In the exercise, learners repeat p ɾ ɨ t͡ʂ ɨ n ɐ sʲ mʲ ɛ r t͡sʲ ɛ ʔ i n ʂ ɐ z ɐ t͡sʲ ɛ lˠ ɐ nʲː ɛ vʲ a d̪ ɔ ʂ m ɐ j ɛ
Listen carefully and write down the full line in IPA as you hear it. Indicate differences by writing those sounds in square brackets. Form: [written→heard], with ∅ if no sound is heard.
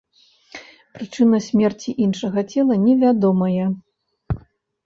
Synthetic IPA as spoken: p ɾ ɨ t͡ʂ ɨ n ɐ sʲ mʲ ɛ r t͡sʲ [ɛ→i] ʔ i n ʂ ɐ [z→ɣ] ɐ t͡sʲ ɛ lˠ ɐ [nʲː→nʲ] ɛ vʲ a d̪ ɔ [ʂ→∅] m ɐ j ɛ